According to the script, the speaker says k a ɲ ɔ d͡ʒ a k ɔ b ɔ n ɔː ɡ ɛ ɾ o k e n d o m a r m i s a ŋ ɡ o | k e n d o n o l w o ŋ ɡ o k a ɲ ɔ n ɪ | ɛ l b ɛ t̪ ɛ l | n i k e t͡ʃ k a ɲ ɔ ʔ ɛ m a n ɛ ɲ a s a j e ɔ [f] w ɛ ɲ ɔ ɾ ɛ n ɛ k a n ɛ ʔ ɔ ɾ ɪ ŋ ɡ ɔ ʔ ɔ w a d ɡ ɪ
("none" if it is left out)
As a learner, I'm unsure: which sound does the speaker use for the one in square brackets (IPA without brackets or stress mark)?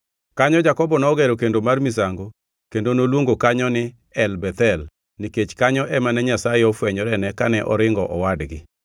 f